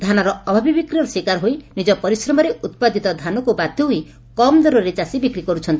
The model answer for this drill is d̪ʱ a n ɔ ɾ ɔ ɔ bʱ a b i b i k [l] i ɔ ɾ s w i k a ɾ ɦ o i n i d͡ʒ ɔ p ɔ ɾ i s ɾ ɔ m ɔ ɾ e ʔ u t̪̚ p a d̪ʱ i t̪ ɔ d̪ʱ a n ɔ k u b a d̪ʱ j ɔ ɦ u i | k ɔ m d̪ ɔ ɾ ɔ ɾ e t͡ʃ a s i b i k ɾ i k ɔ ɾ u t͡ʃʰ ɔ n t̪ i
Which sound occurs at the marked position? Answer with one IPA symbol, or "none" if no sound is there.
ɾ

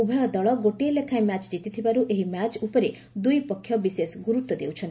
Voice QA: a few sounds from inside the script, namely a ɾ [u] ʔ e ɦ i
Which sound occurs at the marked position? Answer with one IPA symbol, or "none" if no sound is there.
u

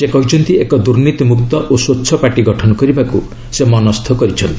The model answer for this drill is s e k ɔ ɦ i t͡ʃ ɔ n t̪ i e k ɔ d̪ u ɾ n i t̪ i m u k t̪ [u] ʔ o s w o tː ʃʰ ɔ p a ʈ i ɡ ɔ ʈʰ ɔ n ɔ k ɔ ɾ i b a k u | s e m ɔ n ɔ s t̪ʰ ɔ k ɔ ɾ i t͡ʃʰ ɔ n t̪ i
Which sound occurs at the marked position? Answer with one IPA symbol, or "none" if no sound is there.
ɔ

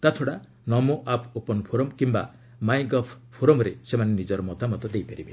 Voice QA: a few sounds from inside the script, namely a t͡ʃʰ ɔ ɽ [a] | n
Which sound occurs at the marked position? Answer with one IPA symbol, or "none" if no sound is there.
a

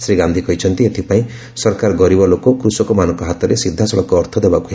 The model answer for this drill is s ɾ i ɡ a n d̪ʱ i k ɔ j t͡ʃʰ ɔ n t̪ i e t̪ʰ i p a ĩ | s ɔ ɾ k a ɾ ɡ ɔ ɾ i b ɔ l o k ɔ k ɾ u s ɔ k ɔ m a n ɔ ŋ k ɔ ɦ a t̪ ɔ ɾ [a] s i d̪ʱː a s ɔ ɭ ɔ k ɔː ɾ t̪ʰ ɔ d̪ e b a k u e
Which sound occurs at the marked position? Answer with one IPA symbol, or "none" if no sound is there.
e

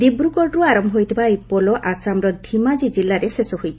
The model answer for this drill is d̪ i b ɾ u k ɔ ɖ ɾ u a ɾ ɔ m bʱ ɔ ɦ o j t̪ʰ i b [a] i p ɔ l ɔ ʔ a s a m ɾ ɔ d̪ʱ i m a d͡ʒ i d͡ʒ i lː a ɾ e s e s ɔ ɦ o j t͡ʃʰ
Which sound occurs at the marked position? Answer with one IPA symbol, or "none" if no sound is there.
a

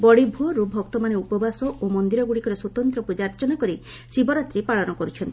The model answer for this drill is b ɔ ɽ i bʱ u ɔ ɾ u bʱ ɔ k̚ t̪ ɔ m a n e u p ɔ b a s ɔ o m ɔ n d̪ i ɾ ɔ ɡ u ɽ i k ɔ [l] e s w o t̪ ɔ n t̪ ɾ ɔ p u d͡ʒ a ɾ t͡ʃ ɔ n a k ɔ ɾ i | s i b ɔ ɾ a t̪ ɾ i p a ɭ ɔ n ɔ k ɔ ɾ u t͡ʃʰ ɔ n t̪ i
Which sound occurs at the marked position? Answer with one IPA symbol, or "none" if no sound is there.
ɾ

